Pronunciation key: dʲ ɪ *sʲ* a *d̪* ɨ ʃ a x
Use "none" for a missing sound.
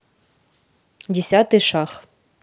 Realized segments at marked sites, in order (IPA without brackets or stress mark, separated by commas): sʲ, t̪